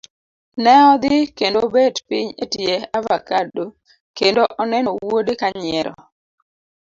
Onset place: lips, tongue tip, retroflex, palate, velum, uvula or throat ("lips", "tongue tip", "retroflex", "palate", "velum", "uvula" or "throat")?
tongue tip